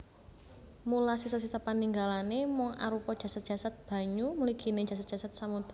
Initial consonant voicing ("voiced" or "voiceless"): voiced